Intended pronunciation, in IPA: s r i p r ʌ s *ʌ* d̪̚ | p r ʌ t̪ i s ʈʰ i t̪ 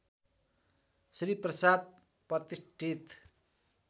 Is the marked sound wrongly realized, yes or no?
yes